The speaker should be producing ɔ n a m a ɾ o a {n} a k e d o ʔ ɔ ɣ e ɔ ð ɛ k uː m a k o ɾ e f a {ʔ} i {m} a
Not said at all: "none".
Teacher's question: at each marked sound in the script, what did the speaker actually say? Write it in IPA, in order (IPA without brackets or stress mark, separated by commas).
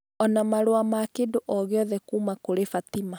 m, t, m